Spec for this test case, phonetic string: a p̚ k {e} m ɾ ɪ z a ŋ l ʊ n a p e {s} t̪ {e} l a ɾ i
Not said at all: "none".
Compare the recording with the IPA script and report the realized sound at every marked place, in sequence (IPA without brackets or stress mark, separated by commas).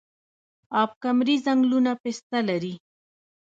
a, s, a